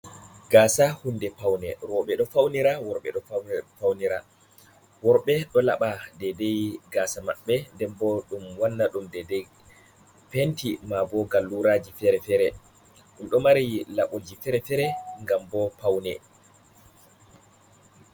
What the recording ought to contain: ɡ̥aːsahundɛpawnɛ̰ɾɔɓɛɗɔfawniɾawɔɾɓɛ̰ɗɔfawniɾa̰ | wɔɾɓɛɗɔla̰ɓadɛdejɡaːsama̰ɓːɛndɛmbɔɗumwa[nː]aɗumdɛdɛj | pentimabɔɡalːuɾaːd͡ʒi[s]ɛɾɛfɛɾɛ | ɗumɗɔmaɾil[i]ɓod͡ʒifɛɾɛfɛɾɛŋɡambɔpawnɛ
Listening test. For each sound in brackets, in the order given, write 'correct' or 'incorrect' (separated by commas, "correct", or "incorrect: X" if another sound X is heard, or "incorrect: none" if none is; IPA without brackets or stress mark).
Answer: correct, incorrect: f, incorrect: a